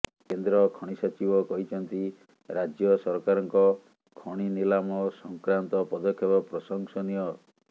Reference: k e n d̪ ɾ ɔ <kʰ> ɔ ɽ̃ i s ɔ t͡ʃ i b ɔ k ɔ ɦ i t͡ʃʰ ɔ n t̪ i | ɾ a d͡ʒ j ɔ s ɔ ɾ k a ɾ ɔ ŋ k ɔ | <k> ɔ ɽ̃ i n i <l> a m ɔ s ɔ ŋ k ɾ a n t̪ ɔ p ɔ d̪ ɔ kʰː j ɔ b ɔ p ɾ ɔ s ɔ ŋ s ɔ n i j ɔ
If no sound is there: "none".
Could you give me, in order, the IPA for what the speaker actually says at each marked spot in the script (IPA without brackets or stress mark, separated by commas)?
kʰ, kʰ, l